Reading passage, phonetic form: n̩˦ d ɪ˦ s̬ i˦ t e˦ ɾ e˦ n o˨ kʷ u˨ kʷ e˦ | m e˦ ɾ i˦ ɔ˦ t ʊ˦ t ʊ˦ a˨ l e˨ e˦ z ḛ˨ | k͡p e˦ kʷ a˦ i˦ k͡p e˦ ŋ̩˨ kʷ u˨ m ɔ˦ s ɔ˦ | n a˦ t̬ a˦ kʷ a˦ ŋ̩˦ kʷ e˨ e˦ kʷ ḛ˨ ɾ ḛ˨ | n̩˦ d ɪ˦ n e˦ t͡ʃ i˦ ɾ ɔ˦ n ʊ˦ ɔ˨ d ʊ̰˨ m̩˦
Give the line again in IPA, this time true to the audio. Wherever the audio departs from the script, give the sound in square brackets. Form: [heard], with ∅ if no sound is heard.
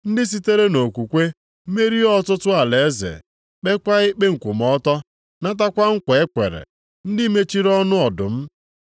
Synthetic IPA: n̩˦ d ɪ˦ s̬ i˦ t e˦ ɾ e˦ n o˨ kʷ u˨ kʷ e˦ | m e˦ ɾ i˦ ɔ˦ t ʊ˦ t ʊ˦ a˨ l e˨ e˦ z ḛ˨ | k͡p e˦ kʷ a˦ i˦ k͡p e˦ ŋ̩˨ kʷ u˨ m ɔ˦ [t] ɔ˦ | n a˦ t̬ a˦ kʷ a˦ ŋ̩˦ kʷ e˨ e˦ kʷ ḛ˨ ɾ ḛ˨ | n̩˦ d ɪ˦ [m] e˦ t͡ʃ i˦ ɾ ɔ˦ n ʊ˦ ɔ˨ d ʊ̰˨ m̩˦